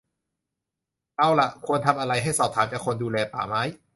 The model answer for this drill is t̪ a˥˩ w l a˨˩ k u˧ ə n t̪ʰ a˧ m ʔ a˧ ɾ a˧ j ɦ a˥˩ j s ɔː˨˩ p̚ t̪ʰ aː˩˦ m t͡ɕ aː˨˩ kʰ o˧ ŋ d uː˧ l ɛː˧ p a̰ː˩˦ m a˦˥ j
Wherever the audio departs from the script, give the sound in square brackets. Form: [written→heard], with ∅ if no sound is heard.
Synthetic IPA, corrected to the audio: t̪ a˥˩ w l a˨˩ [k→kʰ] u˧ ə n t̪ʰ a˧ m ʔ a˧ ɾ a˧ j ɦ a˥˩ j s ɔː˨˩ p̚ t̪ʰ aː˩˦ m t͡ɕ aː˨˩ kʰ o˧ [ŋ→n] d uː˧ l ɛː˧ p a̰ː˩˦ m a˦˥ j